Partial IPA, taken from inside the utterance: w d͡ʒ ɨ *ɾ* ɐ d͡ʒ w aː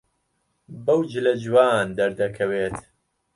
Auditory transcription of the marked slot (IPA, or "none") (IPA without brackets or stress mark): l